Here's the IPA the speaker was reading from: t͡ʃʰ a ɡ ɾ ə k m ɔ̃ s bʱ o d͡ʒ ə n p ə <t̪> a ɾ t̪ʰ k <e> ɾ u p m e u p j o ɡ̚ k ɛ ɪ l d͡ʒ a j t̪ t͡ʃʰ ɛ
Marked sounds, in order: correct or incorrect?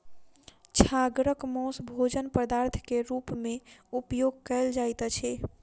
incorrect: d̪, correct

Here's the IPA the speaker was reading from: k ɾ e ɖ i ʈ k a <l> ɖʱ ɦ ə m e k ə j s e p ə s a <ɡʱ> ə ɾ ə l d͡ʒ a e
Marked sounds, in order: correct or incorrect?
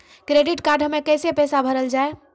incorrect: ɾ, incorrect: bʱ

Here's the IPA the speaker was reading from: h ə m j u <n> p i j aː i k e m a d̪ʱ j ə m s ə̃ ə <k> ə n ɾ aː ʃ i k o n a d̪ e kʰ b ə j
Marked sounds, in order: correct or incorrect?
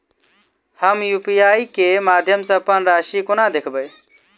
incorrect: none, incorrect: p

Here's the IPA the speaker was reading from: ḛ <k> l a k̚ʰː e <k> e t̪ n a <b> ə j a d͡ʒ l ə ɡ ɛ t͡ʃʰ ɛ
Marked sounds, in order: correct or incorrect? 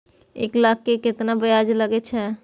correct, correct, correct

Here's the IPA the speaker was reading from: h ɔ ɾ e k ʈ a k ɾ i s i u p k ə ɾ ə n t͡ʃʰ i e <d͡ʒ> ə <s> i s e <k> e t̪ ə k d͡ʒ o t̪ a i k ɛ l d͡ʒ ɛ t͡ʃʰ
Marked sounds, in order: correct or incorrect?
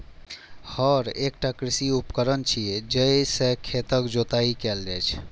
correct, incorrect: none, incorrect: kʰ

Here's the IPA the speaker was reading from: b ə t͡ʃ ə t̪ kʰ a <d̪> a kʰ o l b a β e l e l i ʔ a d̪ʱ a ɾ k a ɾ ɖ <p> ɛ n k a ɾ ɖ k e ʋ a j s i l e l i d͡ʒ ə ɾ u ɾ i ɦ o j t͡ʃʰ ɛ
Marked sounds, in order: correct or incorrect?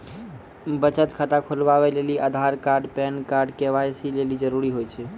incorrect: t̪, correct

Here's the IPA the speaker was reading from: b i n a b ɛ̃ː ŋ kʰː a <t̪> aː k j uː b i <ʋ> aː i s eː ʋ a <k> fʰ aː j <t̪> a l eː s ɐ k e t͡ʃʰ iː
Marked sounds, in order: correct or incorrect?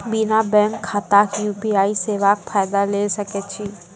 correct, incorrect: none, correct, incorrect: d̪

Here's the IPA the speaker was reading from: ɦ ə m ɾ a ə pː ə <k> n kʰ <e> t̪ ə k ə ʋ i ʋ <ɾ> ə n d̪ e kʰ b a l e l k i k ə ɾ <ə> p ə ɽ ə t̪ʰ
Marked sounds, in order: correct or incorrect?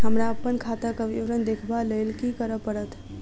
incorrect: none, incorrect: a, correct, correct

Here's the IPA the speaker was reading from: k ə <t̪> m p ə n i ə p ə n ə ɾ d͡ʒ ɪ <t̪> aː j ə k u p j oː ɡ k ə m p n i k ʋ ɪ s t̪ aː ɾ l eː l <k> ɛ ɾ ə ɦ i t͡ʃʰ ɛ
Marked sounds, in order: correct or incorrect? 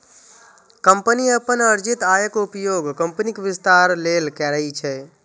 incorrect: none, correct, correct

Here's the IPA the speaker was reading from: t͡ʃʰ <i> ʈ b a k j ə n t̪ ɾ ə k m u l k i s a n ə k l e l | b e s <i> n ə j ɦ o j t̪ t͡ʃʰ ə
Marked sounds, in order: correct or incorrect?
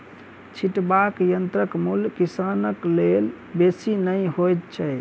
correct, correct

